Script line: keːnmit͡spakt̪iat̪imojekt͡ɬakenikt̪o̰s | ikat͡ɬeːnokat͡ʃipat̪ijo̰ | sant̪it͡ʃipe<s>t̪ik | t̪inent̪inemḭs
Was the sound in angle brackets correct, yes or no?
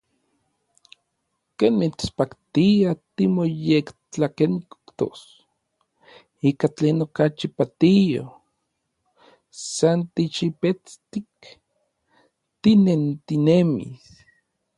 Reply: no